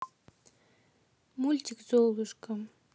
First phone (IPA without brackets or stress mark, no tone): m